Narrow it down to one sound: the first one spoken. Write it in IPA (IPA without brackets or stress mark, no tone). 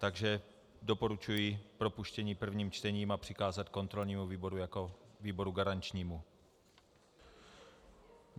t̪